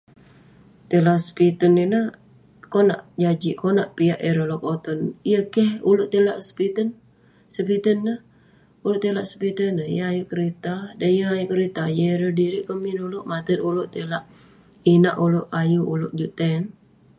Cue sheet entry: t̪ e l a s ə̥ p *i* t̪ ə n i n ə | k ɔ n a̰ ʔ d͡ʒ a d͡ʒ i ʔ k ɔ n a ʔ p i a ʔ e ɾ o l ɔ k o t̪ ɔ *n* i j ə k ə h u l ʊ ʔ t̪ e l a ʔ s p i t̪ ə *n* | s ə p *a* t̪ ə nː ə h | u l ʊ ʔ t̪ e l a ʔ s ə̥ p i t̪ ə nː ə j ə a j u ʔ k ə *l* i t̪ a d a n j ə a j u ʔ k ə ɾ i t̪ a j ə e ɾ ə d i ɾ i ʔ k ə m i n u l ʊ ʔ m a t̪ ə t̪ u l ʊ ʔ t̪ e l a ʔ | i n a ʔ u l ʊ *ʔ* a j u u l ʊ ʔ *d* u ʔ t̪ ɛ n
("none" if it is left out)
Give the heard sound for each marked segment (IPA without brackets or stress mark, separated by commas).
i, n, n, i, ɾ, ʔ, d͡ʒ